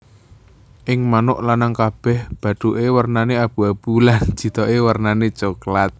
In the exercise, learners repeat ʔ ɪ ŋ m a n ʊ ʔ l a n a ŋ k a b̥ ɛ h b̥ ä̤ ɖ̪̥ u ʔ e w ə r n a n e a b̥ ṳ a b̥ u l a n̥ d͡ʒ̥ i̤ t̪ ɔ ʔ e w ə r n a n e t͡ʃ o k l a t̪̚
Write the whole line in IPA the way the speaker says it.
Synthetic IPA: ʔ ɪ ŋ m a n ʊ ʔ l a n a ŋ k a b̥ ɛ h b̥ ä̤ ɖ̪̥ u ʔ e w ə r n a n e a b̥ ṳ a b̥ u l a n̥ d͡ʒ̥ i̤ t̪ ɔ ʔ e w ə r n a n e t͡ʃ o k l a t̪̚